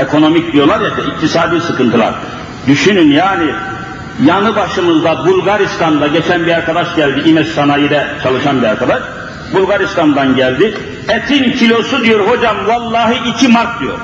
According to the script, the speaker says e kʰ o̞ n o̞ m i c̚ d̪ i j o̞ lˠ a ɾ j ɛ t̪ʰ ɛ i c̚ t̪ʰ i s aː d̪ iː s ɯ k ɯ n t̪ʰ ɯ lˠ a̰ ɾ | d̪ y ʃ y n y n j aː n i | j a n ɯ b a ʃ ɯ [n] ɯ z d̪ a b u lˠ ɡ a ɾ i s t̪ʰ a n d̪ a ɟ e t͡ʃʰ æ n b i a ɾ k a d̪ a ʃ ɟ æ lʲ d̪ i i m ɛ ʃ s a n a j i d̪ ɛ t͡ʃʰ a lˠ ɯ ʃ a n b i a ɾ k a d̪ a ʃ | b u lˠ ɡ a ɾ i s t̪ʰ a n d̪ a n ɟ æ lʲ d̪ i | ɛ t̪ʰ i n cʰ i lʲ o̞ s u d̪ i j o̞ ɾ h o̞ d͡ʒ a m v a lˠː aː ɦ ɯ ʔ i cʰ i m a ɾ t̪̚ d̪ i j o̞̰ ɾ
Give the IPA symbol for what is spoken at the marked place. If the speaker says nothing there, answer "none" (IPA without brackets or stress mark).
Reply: m